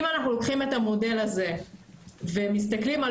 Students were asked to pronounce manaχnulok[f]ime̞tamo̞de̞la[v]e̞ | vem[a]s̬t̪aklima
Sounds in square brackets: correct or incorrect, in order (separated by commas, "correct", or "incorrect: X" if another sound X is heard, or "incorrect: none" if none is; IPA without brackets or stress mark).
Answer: incorrect: χ, incorrect: z, incorrect: i